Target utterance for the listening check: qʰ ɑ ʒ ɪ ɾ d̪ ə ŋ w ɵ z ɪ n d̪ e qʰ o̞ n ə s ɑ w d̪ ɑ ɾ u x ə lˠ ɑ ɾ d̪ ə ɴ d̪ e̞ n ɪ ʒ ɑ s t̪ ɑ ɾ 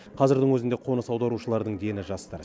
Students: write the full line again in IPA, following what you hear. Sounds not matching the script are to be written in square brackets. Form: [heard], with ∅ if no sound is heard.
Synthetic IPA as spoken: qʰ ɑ [z] ɪ ɾ d̪ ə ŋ w ɵ z ɪ n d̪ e qʰ o̞ n ə s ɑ w d̪ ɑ ɾ u [ʃ] ə lˠ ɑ ɾ d̪ ə ɴ d̪ e̞ n ɪ ʒ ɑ s t̪ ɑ ɾ